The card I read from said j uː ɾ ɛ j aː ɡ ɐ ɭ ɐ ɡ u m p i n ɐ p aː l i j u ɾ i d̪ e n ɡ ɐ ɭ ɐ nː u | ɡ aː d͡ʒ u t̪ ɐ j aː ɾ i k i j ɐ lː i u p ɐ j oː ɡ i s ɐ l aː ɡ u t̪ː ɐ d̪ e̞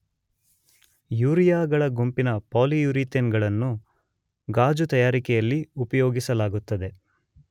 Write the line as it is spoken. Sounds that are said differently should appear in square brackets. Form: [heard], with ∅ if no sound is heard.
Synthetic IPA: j uː ɾ [i] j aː ɡ ɐ ɭ ɐ ɡ u m p i n ɐ p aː l i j u ɾ i [t̪] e n ɡ ɐ ɭ ɐ nː u | ɡ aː d͡ʒ u t̪ ɐ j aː ɾ i k [ɛ] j ɐ lː i u p ɐ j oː ɡ i s ɐ l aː ɡ u t̪ː ɐ d̪ e̞